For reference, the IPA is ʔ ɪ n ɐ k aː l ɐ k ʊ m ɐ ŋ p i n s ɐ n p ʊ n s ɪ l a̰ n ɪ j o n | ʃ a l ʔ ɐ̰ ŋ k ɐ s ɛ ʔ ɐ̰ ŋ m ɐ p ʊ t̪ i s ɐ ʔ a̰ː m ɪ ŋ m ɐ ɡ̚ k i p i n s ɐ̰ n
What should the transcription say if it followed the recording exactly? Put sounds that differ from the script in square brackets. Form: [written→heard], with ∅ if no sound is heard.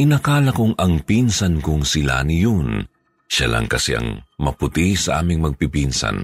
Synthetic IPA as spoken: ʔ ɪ n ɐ k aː l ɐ k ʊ [m→ŋ] ɐ ŋ p i n s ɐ n [p→k] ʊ [n→ŋ] s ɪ l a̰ n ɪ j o n | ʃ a l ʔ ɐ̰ ŋ k ɐ s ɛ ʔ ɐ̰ ŋ m ɐ p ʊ t̪ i s ɐ ʔ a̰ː m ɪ ŋ m ɐ ɡ̚ [k→p] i p i n s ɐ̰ n